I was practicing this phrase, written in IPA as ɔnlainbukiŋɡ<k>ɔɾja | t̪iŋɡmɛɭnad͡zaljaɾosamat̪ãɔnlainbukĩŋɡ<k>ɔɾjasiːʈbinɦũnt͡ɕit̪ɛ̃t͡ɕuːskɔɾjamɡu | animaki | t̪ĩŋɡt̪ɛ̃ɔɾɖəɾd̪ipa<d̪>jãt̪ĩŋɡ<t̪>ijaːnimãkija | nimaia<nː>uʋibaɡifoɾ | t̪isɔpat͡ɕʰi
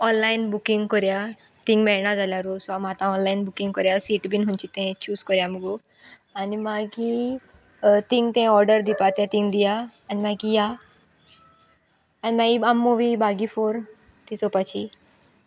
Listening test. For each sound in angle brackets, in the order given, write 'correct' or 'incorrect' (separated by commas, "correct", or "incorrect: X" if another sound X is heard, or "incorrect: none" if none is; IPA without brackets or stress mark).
correct, correct, incorrect: t̪, incorrect: d̪, incorrect: mː